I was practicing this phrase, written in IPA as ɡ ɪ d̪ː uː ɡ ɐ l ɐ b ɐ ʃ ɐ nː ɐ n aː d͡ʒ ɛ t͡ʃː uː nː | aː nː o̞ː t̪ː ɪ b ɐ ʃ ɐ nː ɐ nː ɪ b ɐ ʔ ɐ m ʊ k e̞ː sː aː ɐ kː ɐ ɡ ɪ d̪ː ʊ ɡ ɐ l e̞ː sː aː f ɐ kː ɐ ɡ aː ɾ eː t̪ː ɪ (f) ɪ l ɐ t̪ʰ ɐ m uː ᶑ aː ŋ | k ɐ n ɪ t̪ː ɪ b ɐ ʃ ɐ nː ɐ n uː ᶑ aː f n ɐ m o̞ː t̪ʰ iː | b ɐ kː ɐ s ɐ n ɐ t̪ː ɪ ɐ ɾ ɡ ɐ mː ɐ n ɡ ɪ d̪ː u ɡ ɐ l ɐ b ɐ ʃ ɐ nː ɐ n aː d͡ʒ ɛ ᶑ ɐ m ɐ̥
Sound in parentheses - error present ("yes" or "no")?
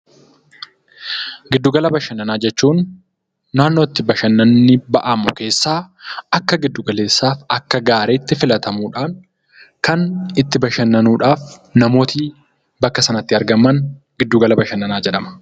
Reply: no